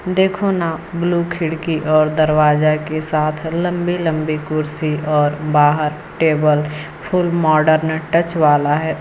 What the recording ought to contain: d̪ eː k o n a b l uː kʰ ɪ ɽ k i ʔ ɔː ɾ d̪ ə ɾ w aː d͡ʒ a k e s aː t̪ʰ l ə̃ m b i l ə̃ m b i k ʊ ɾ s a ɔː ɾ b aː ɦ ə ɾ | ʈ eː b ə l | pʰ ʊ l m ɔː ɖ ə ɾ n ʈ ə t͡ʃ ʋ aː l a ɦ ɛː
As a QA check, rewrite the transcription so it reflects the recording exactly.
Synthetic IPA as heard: d̪ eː kʰ o n a b l uː kʰ ɪ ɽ k i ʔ ɔː ɾ d̪ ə ɾ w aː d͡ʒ a k e s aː t̪ʰ l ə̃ m b i l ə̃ m b i k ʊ ɾ s i ɔː ɾ b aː ɦ ə ɾ | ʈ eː b ə l | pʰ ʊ l m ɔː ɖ ə ɾ n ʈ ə t͡ʃ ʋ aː l a ɦ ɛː